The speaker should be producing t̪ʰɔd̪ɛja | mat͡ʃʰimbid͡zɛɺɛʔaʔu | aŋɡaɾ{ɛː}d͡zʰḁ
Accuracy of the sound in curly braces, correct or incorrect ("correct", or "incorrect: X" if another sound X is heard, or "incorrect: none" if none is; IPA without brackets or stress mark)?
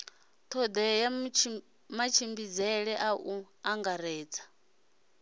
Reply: correct